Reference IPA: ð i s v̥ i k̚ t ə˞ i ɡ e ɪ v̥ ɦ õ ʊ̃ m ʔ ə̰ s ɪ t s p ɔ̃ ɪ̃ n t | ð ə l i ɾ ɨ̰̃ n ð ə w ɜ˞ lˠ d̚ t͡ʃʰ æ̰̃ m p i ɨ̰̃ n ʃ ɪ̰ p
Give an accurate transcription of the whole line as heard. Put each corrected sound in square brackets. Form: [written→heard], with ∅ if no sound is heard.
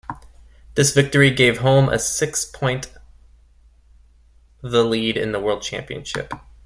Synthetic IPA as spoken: ð [i→ɪ] s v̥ [i→ɪ] k̚ t ə˞ i ɡ e ɪ v̥ ɦ õ ʊ̃ m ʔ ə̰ s ɪ [t→k] s [p→pʰ] ɔ̃ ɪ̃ n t | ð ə l i ɾ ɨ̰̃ n ð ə w ɜ˞ lˠ d̚ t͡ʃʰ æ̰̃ m p i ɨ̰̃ n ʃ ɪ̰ p

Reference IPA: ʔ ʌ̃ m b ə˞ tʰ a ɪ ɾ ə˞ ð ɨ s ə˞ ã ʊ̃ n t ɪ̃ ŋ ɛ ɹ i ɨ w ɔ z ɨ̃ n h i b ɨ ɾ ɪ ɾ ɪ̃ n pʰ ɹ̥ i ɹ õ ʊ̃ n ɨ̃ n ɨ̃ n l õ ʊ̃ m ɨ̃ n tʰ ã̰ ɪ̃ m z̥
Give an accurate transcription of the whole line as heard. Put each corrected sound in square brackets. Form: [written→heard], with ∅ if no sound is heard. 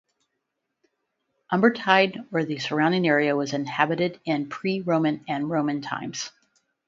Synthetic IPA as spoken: ʔ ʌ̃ m b ə˞ tʰ a ɪ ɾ ə˞ ð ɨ s ə˞ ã ʊ̃ n [t→d] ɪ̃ ŋ ɛ ɹ i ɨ w [ɔ→ʌ] z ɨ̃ n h [i→æ] b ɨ ɾ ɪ ɾ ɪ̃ n pʰ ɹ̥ i ɹ õ ʊ̃ [n→m] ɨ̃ n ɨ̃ n [l→ɹ] õ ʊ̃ m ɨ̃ n tʰ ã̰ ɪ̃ m z̥

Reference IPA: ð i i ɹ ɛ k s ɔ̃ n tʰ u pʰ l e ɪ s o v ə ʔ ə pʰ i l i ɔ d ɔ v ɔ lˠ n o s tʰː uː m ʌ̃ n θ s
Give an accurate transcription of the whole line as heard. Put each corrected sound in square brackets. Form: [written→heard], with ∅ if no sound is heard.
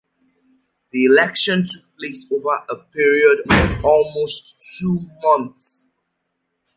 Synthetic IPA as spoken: ð i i [ɹ→l] ɛ k [s→ʃ] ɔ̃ n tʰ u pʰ l e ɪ s o v ə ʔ ə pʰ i [l→ɹ] i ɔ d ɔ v ɔ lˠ [n→m] o s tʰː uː m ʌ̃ n θ s

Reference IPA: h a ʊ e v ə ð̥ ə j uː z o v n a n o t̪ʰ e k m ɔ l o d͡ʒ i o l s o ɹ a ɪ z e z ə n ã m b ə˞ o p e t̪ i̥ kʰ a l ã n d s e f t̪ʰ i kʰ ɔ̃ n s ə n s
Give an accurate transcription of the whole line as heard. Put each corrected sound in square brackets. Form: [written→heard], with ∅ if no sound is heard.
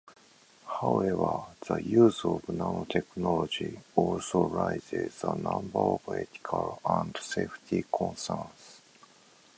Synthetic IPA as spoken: h a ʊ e v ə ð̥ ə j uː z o v n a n o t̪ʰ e k [m→n] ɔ l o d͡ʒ i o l s o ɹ a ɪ z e z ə n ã m b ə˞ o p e t̪ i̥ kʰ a l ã n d s e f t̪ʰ i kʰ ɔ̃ n s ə n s

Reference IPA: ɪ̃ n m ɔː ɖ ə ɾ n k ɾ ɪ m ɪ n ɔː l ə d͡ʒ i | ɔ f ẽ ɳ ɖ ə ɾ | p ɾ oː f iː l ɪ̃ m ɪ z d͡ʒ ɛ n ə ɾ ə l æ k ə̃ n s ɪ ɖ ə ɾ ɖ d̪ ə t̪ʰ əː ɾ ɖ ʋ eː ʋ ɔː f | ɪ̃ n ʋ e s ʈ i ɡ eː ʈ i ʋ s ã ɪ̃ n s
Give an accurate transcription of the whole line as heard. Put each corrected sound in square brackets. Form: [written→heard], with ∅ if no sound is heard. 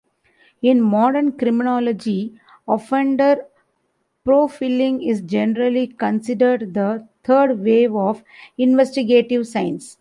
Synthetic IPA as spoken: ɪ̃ n m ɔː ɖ ə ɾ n k ɾ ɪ m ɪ n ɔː l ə d͡ʒ i | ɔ f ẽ ɳ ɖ ə ɾ | p ɾ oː f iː l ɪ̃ [m→ŋ] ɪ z d͡ʒ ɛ n ə ɾ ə l [æ→i] k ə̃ n s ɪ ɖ ə ɾ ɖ d̪ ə t̪ʰ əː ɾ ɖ ʋ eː ʋ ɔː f | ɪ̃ n ʋ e s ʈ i ɡ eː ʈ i ʋ s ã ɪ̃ n s

